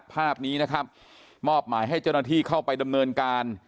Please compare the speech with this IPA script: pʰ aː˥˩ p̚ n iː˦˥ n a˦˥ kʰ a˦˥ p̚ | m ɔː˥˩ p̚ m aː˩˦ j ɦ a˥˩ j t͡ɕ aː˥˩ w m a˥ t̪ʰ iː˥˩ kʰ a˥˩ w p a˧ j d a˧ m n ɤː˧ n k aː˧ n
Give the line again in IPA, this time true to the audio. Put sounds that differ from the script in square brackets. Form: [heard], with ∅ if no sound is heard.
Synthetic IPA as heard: pʰ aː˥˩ p̚ n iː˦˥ n a˦˥ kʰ a˦˥ p̚ | m ɔː˥˩ p̚ m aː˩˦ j ɦ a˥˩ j t͡ɕ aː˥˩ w [n] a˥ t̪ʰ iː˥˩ kʰ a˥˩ w p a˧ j d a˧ m n ɤː˧ n k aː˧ n